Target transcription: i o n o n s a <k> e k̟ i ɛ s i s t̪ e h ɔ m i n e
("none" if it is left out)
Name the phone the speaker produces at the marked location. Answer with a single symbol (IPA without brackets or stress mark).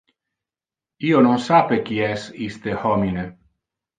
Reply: p